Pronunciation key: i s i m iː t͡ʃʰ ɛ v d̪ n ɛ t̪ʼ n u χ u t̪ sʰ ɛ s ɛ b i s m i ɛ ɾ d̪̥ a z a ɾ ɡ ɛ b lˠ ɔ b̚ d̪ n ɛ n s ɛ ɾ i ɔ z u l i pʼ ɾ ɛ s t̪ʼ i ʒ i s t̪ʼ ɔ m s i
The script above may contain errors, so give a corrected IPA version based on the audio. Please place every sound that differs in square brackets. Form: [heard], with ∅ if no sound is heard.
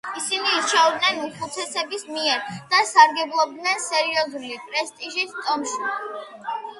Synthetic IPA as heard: i s i [n] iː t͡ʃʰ ɛ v d̪ n ɛ [∅] n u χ u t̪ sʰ ɛ s ɛ b i s m i ɛ ɾ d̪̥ a [s] a ɾ ɡ ɛ b lˠ ɔ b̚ d̪ n ɛ n s ɛ ɾ i ɔ z u l i pʼ ɾ ɛ s t̪ʼ i ʒ i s t̪ʼ ɔ m [ʃ] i